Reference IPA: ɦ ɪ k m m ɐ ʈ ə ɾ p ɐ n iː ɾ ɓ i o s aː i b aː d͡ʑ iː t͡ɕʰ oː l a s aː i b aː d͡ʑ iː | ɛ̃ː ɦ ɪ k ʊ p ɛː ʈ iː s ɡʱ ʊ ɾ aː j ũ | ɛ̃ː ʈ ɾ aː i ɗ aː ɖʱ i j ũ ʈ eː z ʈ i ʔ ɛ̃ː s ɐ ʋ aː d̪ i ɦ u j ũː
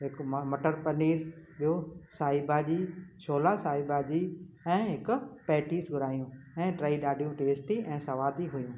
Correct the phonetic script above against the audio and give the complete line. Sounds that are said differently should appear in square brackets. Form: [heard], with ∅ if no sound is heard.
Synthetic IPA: ɦ ɪ k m m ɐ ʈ ə ɾ p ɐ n iː ɾ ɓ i o s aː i b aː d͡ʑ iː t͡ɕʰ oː l a s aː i b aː d͡ʑ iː | ɛ̃ː ɦ ɪ k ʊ p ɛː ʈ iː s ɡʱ ʊ ɾ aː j ũ | ɛ̃ː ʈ ɾ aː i ɗ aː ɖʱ i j ũ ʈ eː [s] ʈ i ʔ ɛ̃ː s ɐ ʋ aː d̪ i ɦ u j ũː